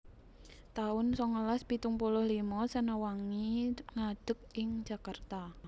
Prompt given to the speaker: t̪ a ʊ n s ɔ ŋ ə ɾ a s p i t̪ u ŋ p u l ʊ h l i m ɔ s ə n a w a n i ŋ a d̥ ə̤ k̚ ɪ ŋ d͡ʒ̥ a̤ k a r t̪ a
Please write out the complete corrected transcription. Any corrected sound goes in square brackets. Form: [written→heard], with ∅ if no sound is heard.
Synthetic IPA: t̪ a ʊ n s ɔ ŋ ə [ɾ→l] a s p i t̪ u ŋ p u l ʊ h l i m ɔ s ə n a w a [n→ŋ] i ŋ a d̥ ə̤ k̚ ɪ ŋ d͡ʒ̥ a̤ k a r t̪ a